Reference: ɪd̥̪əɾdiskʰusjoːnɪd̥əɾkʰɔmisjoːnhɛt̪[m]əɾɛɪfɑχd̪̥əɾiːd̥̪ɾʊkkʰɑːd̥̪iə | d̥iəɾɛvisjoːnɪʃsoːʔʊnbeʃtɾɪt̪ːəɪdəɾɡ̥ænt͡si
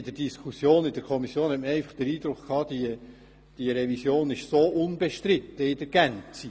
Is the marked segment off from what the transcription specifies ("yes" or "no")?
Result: no